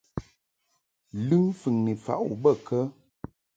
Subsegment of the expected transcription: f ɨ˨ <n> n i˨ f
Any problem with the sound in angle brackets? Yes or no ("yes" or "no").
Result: yes